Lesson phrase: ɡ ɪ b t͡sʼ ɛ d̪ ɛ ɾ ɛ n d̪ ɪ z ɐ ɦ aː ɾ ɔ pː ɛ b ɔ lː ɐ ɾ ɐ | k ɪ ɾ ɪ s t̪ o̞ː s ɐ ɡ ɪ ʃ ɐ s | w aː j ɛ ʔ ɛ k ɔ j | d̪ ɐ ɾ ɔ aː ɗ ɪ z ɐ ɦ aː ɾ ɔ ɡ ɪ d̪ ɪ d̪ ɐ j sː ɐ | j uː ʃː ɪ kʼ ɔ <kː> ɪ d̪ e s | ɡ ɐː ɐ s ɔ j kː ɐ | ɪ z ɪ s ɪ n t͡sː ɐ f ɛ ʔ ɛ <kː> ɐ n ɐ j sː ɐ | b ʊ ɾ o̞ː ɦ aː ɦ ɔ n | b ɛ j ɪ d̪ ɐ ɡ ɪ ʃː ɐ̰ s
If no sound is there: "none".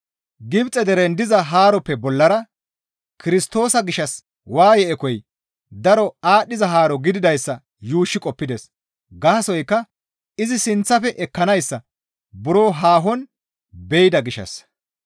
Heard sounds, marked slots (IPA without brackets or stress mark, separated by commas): pː, kː